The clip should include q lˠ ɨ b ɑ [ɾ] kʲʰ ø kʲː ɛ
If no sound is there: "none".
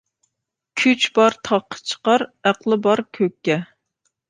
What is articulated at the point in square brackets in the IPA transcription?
ɾ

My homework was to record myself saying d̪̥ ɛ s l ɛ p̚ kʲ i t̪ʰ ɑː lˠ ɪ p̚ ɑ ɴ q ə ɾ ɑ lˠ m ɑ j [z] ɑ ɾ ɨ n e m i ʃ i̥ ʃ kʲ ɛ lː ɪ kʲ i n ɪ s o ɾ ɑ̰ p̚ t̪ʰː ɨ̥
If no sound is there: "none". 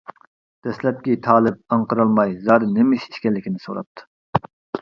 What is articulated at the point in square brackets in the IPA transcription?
z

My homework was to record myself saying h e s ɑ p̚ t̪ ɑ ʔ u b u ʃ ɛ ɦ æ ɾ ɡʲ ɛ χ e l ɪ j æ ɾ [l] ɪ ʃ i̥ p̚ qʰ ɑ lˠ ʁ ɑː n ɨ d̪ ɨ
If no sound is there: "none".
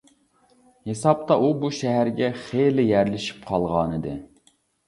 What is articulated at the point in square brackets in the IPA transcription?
l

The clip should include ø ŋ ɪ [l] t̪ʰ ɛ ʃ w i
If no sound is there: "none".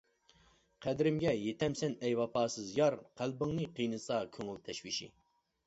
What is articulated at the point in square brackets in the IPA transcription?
l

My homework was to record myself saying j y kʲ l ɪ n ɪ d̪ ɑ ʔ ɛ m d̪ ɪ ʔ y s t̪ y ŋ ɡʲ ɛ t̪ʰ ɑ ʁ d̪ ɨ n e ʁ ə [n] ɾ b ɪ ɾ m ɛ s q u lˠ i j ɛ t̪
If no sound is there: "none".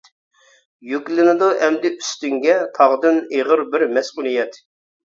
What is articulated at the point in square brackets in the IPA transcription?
none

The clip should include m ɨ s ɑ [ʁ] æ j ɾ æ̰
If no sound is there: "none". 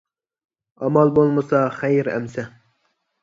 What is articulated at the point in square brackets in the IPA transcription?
χ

